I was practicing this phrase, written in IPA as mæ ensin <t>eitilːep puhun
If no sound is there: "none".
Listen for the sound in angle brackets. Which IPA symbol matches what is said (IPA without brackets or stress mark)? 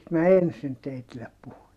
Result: t